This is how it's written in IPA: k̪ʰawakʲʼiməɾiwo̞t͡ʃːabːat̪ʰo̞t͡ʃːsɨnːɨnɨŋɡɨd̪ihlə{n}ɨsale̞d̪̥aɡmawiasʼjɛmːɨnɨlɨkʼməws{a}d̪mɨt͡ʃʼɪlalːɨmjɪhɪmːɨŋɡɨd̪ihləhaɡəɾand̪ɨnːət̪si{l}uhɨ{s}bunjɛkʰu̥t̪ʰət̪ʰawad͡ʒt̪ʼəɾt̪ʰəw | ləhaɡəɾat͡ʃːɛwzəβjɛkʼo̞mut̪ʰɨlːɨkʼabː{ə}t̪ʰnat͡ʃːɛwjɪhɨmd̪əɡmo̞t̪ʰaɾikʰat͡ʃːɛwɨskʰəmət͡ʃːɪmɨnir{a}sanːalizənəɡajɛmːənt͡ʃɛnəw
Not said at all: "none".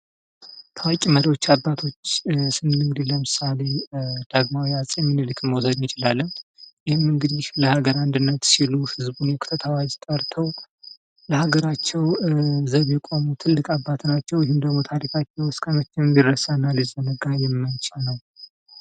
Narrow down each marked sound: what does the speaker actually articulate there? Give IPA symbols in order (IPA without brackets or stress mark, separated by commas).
m, ə, l, z, a, ə